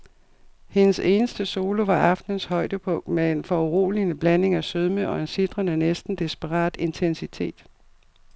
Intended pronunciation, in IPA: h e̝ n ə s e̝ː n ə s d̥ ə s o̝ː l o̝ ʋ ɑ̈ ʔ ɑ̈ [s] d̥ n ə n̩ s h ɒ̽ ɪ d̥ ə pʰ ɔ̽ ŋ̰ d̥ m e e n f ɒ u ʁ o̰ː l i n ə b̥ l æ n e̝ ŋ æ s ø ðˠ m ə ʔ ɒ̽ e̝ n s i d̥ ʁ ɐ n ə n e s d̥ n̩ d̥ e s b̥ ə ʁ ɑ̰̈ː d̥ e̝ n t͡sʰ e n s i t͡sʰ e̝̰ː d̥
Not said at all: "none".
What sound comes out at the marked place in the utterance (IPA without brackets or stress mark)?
f